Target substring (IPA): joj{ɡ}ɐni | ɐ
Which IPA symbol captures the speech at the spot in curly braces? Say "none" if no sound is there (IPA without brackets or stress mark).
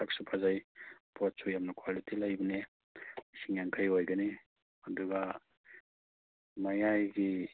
ɡ